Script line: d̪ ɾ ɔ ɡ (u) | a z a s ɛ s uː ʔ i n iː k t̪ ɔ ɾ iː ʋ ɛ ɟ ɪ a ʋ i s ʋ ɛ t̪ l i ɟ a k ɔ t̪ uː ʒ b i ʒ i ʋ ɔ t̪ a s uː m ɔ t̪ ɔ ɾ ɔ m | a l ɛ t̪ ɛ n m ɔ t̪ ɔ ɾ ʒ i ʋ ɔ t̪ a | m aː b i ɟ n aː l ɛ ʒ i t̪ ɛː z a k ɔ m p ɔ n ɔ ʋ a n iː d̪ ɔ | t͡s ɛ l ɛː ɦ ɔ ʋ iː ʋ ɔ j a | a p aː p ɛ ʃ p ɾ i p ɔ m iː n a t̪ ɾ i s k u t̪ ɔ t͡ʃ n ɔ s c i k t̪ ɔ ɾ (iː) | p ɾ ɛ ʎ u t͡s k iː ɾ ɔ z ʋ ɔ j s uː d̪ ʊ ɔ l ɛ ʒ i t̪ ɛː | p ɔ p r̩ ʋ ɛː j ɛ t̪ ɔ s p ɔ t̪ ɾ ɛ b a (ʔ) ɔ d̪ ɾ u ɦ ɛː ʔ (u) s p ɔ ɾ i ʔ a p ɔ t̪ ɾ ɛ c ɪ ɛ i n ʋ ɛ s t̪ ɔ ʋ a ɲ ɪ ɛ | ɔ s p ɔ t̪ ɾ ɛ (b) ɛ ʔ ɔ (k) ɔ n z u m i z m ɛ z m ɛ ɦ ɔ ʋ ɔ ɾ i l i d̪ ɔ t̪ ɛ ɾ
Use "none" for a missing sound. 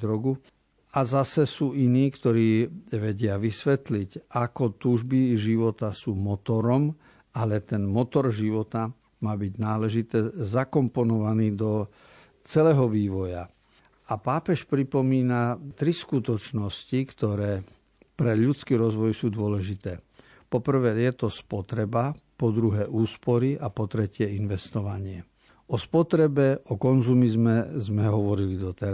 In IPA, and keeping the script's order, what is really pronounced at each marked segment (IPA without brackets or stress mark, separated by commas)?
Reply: u, ɛː, p, uː, b, k